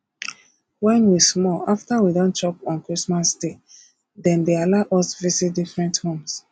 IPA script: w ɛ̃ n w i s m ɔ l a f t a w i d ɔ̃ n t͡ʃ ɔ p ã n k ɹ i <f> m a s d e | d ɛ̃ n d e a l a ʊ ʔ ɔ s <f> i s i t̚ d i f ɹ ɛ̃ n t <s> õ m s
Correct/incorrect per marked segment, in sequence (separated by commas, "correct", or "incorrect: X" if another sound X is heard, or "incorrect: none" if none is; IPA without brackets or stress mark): incorrect: s, incorrect: v, incorrect: h